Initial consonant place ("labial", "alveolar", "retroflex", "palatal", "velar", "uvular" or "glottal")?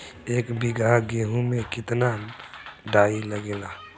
velar